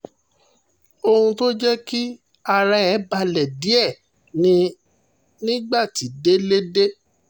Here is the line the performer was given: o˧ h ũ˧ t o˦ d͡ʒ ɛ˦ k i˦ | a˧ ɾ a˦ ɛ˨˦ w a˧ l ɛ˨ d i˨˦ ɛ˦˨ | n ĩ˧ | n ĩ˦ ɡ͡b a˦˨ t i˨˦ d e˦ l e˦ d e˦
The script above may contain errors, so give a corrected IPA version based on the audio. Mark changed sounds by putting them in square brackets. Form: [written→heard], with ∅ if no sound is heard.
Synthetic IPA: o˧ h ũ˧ t o˦ d͡ʒ ɛ˦ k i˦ | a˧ ɾ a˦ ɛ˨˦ [w→b] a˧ l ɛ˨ d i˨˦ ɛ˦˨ | n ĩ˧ | n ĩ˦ ɡ͡b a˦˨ t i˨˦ d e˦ l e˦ d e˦

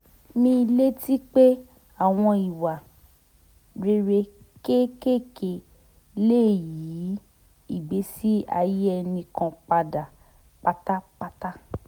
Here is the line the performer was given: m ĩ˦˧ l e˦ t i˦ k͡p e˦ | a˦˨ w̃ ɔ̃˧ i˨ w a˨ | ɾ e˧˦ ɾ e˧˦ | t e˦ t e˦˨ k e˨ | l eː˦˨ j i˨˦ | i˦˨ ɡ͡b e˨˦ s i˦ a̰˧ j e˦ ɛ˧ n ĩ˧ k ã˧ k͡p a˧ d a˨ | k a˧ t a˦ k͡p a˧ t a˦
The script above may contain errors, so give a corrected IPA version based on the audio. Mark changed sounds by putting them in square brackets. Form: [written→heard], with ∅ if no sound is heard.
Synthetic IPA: m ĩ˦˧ l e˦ t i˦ k͡p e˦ | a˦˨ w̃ ɔ̃˧ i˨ w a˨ | ɾ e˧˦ ɾ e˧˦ | [t→k] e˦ [t→k] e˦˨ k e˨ | l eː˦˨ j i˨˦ | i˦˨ ɡ͡b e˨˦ s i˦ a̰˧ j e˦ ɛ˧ n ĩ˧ k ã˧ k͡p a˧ d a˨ | [k→k͡p] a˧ t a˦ k͡p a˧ t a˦

